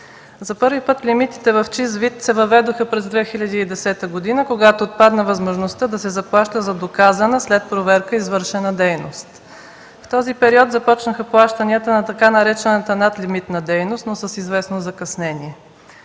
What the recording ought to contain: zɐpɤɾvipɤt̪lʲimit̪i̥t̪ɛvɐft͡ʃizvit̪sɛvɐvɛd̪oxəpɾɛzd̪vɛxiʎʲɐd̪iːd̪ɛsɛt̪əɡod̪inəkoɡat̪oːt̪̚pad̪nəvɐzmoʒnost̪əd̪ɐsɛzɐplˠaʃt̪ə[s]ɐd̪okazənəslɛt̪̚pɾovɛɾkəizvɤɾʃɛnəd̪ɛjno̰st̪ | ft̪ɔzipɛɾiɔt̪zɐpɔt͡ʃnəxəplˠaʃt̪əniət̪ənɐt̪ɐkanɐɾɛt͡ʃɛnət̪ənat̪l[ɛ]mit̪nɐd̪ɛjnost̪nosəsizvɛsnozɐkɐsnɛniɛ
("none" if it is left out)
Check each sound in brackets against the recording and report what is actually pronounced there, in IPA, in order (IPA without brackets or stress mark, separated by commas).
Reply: z, i